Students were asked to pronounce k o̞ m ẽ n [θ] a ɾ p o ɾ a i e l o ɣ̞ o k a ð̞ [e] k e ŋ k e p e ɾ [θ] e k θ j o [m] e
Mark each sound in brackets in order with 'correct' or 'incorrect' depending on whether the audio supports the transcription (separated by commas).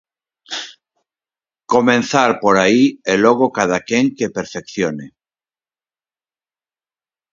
correct, incorrect, incorrect, incorrect